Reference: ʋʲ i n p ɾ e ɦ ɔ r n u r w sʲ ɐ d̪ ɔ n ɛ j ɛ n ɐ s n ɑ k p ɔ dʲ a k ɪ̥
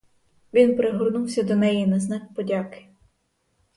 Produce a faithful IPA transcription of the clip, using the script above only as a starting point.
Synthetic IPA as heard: ʋʲ i n p ɾ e ɦ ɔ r n u w sʲ ɐ d̪ ɔ n ɛ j i n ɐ z n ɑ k p ɔ dʲ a k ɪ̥